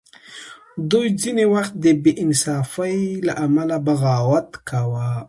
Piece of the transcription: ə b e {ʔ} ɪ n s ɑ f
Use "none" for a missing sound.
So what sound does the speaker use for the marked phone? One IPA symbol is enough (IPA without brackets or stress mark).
ʔ